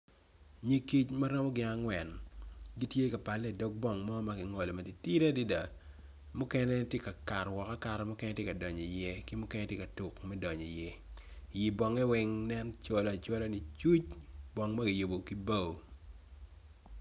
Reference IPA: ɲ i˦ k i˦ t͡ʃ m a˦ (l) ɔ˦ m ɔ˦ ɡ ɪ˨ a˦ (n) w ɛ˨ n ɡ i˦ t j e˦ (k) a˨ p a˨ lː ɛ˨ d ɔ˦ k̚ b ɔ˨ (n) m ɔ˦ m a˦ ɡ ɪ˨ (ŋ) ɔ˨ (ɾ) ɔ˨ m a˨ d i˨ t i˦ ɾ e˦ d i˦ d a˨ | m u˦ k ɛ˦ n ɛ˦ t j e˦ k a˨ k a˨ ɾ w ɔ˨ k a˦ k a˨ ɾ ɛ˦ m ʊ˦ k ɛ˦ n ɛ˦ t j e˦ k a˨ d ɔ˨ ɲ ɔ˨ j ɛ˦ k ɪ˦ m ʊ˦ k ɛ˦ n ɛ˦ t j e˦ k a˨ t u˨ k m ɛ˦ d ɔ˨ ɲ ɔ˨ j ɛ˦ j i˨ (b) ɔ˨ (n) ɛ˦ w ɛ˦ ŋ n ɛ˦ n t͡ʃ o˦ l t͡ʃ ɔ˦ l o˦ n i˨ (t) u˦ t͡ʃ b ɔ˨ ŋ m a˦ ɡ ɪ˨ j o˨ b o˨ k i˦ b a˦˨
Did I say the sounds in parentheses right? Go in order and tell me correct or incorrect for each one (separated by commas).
incorrect, incorrect, correct, incorrect, correct, incorrect, correct, incorrect, incorrect